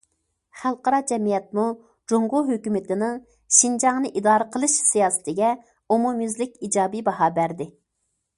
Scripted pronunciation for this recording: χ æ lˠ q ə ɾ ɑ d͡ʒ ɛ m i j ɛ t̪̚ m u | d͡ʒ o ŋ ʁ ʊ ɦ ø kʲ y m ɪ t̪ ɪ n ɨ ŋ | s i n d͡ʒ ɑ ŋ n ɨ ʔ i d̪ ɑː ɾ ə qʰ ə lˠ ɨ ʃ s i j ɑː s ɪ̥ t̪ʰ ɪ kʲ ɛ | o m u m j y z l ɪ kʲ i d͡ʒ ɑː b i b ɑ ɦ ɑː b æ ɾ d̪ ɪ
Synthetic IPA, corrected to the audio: χ æ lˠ q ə ɾ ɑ d͡ʒ ɛ m i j ɛ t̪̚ m u | d͡ʒ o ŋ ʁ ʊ ɦ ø kʲ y m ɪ t̪ ɪ n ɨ ŋ | ʃ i n d͡ʒ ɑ ŋ n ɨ ʔ i d̪ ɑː ɾ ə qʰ ə lˠ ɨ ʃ s i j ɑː s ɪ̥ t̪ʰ ɪ ɡʲ ɛ | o m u m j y z l ɪ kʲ i d͡ʒ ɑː b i b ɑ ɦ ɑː b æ ɾ d̪ ɪ